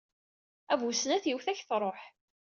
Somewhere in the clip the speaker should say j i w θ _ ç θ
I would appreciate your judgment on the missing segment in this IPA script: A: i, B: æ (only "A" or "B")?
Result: B